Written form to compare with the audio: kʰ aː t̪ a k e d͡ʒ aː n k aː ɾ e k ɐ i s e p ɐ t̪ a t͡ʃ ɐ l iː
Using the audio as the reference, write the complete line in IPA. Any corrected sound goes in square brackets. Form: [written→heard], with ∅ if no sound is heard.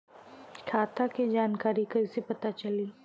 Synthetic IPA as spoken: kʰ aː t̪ a k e d͡ʒ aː n k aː ɾ [e→i] k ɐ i s e p ɐ t̪ a t͡ʃ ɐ l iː